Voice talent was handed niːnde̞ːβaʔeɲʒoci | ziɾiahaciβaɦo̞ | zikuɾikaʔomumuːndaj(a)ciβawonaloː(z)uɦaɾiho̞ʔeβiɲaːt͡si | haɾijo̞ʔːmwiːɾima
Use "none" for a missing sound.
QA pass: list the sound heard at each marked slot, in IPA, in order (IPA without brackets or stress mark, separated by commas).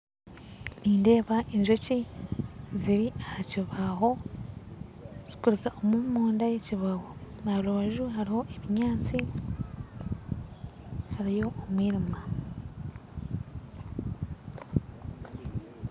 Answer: e, ʒ